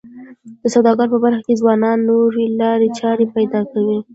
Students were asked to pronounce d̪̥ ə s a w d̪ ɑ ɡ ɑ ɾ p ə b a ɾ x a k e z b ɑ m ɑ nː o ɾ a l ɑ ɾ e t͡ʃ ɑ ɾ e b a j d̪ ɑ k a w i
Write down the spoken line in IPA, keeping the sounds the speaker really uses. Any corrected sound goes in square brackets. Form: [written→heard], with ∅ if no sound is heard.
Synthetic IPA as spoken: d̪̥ ə s a w d̪ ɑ ɡ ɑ ɾ p ə b a ɾ x a k e z [b→w] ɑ [m→n] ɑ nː o ɾ [a→e] l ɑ ɾ e t͡ʃ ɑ ɾ e [b→p] a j d̪ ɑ k a w i